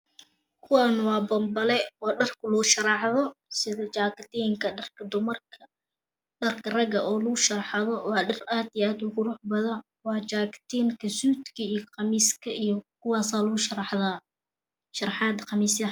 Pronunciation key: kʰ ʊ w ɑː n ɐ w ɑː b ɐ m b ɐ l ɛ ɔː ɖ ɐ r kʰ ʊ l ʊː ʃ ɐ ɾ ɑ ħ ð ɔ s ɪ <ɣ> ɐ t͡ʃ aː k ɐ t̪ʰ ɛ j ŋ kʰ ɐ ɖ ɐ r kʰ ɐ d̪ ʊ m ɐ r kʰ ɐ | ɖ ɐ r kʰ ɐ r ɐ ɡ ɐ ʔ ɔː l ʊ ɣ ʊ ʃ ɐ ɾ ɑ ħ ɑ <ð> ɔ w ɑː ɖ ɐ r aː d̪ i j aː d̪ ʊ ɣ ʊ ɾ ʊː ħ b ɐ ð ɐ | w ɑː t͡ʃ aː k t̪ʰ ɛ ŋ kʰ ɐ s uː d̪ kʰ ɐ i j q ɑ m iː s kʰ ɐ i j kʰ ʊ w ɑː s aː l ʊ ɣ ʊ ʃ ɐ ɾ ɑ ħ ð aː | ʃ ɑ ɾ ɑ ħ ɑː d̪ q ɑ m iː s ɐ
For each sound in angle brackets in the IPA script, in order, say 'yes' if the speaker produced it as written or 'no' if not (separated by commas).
no, yes